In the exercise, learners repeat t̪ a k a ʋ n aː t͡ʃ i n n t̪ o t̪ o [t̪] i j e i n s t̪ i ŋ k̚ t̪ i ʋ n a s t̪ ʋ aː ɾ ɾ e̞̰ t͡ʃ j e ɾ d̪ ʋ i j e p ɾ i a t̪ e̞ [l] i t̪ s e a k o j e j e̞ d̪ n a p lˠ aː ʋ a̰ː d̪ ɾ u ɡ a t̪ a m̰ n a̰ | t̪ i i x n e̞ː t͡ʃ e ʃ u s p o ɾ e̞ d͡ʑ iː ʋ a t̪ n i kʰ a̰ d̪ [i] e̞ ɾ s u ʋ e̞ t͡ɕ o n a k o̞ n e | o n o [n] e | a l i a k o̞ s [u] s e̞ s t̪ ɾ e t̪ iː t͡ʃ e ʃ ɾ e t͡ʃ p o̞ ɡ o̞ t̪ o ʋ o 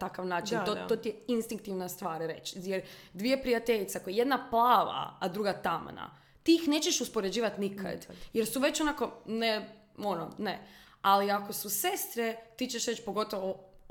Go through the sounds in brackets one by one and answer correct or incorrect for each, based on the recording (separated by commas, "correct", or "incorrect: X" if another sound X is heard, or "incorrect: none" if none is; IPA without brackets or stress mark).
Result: correct, incorrect: ʎ, incorrect: j, correct, correct